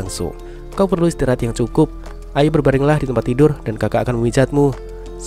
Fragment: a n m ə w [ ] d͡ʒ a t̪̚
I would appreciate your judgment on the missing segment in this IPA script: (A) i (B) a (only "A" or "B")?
A